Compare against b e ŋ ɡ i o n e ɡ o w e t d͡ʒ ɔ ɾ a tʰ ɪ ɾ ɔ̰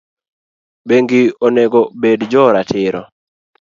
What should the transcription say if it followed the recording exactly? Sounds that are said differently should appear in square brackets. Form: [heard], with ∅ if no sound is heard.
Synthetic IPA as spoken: b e ŋ ɡ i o n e ɡ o [b] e [d] d͡ʒ ɔ ɾ a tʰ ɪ ɾ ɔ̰